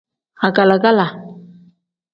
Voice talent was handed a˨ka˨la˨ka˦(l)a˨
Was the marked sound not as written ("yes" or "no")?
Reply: no